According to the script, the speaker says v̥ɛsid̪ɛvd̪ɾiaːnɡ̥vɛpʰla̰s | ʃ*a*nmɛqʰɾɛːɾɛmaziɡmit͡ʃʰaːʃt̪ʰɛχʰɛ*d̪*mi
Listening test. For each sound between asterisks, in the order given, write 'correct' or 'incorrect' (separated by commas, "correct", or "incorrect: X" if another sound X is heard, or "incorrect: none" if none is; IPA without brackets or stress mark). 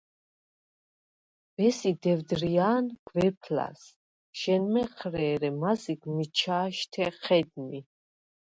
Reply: incorrect: ɛ, correct